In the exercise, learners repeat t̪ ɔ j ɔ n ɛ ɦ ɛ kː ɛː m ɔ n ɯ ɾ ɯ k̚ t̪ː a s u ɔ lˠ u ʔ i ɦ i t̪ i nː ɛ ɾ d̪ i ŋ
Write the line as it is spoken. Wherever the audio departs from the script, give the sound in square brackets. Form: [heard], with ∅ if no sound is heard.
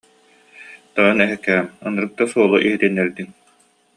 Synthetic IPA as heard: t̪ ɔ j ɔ n ɛ ɦ ɛ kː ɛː m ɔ n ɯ ɾ ɯ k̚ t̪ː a s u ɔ lˠ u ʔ i ɦ i t̪ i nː ɛ ɾ d̪ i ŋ